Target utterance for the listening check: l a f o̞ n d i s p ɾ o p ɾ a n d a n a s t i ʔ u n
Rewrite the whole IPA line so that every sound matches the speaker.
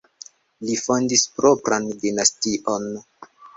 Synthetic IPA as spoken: l i f o̞ n d i s p ɾ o p ɾ a n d i n a s t i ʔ o n